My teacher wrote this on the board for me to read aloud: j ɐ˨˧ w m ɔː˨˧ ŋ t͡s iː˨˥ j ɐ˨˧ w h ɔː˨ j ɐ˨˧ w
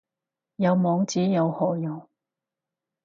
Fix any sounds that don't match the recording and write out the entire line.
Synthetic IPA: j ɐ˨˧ w m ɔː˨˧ ŋ t͡s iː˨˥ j ɐ˨˧ w h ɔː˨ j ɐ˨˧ w